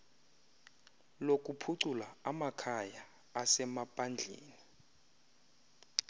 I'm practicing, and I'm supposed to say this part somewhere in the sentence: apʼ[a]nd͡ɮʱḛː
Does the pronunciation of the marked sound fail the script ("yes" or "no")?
no